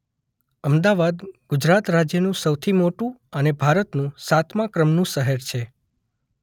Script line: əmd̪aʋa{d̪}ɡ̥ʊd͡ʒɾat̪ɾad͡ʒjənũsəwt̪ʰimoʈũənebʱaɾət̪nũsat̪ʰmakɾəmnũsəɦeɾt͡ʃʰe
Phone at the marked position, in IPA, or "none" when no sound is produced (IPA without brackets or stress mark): d̪